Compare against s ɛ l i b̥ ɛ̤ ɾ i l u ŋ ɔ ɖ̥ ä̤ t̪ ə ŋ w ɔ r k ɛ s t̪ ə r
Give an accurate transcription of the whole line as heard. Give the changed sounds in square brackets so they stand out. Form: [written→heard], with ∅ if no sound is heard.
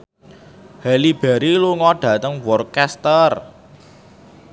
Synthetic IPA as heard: [s→h] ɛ l i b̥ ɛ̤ ɾ i l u ŋ ɔ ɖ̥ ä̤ t̪ ə ŋ w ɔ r k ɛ s t̪ ə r